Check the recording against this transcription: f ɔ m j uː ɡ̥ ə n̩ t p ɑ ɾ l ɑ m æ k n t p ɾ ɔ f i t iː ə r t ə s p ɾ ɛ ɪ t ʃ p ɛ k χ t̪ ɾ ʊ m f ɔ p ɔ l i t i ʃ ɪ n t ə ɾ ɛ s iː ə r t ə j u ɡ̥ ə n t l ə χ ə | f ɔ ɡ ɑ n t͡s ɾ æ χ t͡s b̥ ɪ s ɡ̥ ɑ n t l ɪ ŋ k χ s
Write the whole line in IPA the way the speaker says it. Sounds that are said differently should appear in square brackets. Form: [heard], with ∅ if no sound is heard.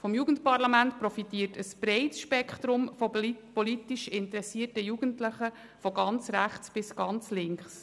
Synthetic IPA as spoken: f ɔ m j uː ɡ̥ ə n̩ t p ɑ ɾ l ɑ m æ [∅] n t p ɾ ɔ f i t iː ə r t ə s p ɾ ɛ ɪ t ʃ p ɛ k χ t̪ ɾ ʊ m f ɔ p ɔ l i t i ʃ ɪ n t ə ɾ ɛ s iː ə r t ə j u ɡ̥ ə n t l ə χ ə | f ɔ ɡ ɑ n t͡s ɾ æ χ t͡s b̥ ɪ s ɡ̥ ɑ n [t͡s] l ɪ ŋ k χ s